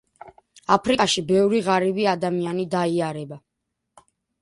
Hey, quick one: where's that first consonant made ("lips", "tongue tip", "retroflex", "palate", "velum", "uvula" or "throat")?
lips